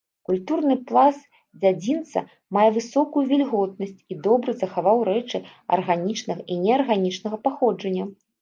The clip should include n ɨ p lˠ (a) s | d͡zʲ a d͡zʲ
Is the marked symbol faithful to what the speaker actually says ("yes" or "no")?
yes